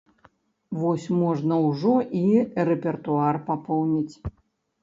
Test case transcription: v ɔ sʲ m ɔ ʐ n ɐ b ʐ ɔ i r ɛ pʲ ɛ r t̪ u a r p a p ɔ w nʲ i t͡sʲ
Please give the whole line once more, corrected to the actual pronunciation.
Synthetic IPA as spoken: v ɔ sʲ m ɔ ʐ n ɐ w ʐ ɔ i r ɛ pʲ ɛ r t̪ u a r p a p ɔ w nʲ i t͡sʲ